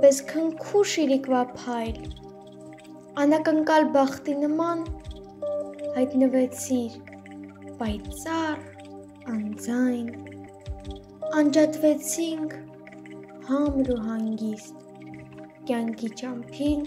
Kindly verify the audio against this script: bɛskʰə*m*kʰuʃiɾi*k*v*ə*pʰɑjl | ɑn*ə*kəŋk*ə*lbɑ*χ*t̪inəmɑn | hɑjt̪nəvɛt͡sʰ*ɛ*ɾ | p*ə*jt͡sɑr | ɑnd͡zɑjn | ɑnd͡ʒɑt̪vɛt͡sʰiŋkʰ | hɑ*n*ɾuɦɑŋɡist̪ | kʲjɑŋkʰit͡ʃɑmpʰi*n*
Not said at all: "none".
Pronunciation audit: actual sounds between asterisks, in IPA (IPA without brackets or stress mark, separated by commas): ŋ, k, ɑ, ɑ, ɑ, χ, i, ɑ, m, n